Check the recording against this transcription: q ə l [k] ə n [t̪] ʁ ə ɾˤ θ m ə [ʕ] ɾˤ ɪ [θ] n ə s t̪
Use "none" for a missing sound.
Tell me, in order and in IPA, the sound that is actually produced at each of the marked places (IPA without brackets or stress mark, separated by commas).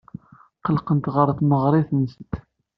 q, t̪, ʁ, θ